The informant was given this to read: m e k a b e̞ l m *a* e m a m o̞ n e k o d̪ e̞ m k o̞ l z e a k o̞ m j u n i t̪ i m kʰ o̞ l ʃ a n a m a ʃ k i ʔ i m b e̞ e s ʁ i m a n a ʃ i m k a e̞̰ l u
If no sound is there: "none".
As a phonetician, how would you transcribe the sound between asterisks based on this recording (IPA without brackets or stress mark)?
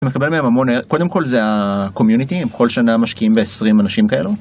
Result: e